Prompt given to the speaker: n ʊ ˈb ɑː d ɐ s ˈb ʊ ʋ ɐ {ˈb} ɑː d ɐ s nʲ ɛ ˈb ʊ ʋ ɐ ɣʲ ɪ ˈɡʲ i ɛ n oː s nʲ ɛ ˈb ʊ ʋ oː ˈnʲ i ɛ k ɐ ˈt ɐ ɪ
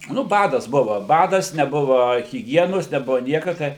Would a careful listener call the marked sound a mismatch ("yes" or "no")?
no